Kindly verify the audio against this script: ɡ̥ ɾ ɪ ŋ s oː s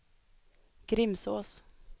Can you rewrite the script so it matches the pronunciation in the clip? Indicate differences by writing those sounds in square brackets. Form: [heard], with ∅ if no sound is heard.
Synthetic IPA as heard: ɡ̥ ɾ ɪ [m] s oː s